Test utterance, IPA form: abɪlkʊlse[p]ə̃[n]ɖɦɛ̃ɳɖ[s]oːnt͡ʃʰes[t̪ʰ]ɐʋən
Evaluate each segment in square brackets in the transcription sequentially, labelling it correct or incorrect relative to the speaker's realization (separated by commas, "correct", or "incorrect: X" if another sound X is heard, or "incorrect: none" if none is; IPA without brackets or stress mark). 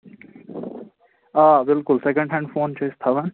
incorrect: k, incorrect: ɳ, incorrect: f, correct